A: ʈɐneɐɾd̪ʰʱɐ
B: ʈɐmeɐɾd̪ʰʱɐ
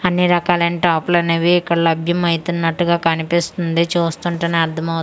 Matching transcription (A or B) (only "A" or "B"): A